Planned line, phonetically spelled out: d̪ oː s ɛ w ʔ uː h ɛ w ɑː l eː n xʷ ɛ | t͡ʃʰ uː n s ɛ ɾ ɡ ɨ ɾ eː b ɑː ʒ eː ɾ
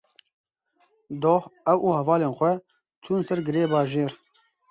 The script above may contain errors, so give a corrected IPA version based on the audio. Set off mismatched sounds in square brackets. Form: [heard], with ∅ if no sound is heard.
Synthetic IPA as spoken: d̪ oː [h] ɛ w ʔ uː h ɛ [v] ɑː l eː n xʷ ɛ | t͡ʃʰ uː n s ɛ ɾ ɡ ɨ ɾ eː b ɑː ʒ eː ɾ